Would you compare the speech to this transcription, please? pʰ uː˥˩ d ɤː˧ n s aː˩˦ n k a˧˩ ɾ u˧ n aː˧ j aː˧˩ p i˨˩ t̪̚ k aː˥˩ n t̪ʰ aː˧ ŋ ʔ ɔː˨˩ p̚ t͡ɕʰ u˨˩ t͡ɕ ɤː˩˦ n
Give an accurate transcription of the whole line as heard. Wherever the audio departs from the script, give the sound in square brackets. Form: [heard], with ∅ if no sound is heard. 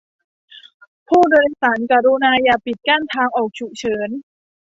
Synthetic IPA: pʰ uː˥˩ d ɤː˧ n s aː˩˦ n k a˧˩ ɾ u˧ n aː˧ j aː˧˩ p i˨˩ t̪̚ k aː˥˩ n t̪ʰ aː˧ ŋ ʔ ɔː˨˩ [k̚] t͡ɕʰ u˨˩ [t͡ɕʰ] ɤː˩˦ n